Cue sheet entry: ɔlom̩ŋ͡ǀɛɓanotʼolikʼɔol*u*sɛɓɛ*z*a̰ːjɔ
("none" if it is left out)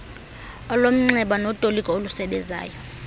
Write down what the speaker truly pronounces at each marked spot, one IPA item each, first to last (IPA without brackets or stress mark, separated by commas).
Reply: u, z